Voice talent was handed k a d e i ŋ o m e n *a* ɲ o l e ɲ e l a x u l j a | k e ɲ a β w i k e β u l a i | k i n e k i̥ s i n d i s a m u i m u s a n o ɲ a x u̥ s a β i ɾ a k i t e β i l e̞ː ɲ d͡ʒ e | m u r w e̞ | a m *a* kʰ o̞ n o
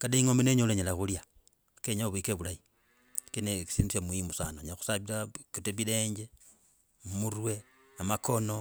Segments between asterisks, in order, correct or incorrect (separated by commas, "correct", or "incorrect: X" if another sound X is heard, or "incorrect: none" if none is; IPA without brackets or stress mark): incorrect: e, correct